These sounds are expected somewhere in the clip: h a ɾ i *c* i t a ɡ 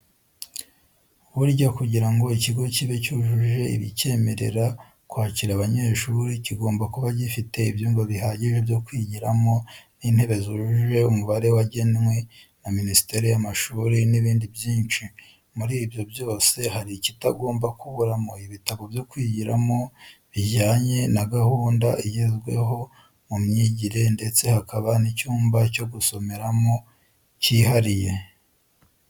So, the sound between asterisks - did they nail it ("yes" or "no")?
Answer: yes